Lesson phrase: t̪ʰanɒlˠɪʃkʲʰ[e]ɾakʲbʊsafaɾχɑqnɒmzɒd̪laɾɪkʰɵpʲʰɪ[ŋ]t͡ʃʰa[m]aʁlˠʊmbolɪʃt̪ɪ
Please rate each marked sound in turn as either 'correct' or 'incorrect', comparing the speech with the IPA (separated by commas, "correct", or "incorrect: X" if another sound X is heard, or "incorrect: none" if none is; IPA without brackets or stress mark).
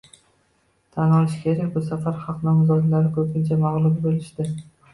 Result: correct, incorrect: n, correct